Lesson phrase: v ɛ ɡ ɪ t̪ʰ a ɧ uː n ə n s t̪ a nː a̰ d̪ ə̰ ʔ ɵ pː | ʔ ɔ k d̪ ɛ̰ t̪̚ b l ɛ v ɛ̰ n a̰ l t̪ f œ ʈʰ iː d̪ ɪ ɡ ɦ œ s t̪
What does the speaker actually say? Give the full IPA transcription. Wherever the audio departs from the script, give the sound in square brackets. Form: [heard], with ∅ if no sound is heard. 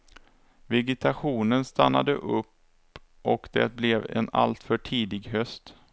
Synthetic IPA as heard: v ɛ ɡ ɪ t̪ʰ a ɧ uː n ə n s t̪ a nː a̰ d̪ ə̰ ʔ ɵ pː | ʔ ɔ k d̪ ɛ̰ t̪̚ b l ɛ v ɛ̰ n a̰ l t̪ f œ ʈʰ iː d̪ ɪ ɡ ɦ œ s t̪